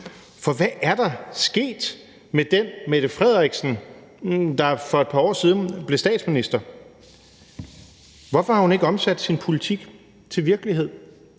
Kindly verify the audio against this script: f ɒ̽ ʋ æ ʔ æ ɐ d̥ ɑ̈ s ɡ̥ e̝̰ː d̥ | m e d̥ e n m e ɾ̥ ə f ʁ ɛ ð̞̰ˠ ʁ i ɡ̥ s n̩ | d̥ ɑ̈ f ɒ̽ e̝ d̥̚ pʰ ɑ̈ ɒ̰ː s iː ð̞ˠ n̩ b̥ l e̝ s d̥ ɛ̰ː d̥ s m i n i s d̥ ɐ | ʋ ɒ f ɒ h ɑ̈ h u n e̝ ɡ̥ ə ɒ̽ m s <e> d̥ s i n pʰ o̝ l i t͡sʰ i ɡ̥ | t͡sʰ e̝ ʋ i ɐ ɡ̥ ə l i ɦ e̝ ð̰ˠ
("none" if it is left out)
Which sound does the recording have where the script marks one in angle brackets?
æ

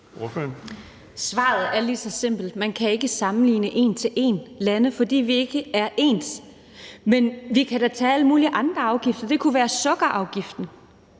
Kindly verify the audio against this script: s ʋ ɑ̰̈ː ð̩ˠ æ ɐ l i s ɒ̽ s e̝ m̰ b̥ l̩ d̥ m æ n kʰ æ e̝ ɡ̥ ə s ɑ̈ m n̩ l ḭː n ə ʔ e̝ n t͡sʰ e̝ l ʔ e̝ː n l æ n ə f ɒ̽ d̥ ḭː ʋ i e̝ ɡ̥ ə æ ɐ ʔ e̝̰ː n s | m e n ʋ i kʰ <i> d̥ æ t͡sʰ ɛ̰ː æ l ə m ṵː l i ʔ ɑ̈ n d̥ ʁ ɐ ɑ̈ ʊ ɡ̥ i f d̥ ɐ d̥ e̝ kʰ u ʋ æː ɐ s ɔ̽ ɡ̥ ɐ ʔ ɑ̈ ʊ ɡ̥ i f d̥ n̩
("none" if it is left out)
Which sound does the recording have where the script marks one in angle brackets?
æ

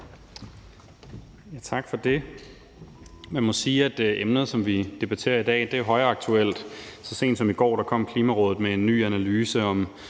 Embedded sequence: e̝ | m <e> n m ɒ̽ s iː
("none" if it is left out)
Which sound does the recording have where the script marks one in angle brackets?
æ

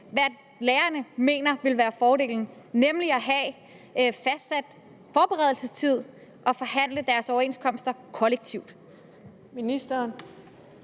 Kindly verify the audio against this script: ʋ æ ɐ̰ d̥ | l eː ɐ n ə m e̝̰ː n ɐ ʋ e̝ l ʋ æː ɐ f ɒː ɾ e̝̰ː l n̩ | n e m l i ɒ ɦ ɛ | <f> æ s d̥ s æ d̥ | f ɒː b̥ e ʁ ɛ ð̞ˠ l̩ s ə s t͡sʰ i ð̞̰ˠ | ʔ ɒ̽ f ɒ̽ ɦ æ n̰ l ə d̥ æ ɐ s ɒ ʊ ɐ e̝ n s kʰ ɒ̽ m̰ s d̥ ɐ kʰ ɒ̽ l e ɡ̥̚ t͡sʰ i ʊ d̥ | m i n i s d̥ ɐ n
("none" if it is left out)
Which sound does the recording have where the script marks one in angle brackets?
f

